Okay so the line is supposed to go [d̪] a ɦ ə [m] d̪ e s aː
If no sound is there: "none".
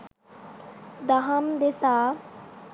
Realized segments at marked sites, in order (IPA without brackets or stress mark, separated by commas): d̪, m